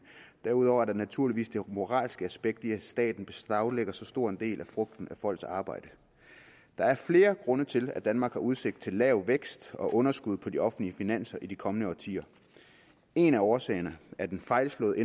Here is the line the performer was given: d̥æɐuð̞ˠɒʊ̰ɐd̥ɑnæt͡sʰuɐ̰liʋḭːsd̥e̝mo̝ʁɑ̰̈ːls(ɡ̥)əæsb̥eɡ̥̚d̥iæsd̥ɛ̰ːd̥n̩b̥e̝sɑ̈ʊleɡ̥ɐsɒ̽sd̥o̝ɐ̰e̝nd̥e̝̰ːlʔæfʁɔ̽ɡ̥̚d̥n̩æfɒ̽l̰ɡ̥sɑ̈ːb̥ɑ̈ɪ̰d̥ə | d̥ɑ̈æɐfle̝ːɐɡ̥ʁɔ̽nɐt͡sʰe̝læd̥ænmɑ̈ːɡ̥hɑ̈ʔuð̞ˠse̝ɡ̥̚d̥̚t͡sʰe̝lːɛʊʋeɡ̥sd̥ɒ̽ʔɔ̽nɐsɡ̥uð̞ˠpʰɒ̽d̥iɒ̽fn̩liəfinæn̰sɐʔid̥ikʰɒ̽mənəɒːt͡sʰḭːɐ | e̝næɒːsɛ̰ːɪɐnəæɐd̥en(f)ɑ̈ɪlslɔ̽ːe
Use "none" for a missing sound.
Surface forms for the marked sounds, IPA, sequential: ɡ̥, f

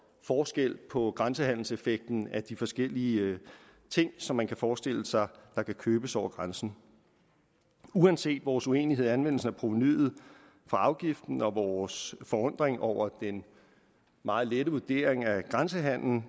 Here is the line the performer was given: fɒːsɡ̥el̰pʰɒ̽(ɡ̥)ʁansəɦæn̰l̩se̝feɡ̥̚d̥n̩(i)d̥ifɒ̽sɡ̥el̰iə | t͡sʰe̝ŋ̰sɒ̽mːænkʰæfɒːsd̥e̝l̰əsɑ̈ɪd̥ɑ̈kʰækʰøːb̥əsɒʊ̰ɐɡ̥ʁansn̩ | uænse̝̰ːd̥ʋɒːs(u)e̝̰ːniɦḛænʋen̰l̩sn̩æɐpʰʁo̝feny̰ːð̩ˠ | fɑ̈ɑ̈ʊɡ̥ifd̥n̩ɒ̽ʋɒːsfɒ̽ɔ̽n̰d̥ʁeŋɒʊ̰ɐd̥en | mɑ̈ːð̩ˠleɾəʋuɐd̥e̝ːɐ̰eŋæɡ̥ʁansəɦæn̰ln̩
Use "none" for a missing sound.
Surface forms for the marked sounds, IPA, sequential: ɡ̥, æ, u

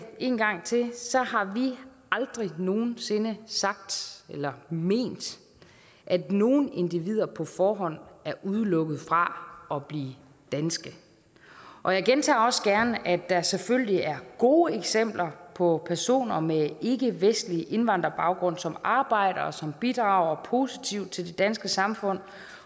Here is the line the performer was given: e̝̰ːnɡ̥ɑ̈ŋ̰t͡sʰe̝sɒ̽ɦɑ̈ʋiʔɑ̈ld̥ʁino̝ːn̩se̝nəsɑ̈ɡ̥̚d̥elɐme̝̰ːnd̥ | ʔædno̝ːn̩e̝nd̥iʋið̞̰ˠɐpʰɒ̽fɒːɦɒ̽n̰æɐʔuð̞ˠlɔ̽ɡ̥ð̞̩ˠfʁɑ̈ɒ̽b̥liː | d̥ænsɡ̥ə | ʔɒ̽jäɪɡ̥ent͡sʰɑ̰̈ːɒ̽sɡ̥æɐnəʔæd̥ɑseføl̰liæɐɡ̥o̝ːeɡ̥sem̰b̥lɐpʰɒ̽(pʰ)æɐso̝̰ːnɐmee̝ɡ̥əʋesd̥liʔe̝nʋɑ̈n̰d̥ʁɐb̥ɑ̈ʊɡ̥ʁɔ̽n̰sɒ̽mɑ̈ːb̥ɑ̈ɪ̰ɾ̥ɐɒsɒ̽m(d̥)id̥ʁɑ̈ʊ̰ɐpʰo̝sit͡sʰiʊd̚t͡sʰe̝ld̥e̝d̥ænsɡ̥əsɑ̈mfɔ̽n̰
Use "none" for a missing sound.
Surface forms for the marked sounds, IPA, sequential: pʰ, b̥

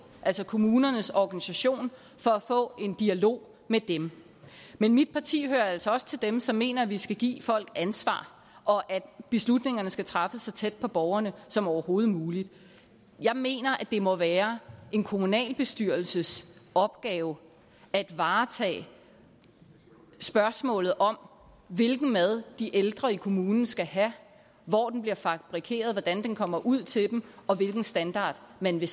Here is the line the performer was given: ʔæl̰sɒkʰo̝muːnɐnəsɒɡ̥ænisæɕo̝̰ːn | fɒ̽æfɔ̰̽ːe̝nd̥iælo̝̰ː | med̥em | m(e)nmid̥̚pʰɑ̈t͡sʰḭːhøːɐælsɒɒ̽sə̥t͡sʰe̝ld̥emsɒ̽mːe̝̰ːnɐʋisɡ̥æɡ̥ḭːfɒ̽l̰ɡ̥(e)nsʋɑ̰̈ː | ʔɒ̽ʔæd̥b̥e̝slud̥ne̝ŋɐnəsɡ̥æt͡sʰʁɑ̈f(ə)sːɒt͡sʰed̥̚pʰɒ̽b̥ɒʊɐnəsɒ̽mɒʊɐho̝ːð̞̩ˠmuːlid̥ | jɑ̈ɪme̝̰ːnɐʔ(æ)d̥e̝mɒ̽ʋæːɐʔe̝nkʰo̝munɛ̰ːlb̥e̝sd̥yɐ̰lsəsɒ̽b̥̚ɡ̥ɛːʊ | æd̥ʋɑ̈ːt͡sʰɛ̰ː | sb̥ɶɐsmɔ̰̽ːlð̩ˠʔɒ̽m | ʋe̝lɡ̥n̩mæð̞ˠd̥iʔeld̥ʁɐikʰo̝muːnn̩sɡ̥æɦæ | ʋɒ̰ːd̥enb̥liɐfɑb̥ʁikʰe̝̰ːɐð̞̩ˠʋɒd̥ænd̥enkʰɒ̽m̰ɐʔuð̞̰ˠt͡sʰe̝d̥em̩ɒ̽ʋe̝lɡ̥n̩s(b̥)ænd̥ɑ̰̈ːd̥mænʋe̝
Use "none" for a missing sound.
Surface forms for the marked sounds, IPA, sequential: e, æ, ə, æ, d̥

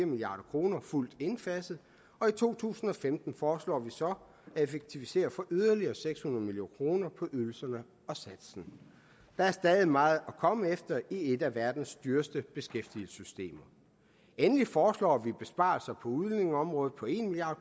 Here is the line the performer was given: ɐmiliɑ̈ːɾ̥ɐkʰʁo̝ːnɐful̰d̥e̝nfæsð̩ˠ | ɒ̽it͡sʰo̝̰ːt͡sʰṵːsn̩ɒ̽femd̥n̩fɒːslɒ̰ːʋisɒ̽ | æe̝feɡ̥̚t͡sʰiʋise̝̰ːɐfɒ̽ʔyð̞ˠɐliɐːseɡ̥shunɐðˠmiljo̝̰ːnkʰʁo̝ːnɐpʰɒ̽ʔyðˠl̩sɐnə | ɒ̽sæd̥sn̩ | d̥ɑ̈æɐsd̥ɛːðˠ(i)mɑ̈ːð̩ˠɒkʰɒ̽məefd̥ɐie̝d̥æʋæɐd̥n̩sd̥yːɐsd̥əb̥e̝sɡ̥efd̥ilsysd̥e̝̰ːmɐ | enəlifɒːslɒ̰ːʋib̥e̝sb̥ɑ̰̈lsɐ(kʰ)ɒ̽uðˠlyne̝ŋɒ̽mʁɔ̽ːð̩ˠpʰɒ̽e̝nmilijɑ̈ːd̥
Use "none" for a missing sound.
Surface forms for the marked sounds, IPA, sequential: i, pʰ

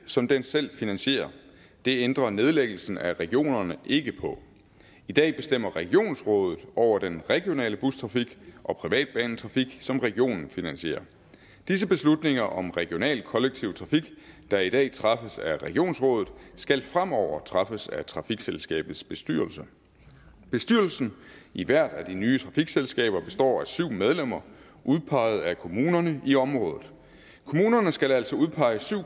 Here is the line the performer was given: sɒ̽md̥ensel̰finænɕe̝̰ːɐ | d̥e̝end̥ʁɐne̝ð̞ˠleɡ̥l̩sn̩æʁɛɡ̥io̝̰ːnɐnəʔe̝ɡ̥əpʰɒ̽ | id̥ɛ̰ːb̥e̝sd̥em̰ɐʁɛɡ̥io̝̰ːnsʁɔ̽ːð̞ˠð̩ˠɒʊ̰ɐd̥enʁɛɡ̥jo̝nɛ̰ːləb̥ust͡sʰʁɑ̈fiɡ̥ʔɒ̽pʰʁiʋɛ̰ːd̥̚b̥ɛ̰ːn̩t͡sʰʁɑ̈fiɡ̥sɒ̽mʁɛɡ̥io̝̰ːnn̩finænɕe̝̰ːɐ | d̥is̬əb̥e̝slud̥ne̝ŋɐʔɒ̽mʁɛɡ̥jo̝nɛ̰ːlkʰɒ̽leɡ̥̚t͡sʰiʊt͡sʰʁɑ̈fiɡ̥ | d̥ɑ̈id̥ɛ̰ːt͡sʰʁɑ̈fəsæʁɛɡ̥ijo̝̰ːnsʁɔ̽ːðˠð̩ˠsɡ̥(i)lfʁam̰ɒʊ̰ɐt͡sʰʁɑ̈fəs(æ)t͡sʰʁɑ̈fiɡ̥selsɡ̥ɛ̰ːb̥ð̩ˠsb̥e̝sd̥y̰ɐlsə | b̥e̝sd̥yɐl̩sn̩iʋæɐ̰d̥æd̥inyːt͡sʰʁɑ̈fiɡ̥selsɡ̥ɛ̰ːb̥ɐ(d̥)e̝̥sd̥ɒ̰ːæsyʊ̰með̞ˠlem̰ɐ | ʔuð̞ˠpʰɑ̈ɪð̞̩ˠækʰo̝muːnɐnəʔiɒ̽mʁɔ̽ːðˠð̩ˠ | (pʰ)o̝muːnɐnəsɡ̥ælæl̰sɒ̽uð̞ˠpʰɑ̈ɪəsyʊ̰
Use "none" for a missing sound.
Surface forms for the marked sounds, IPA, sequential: æ, æ, b̥, kʰ

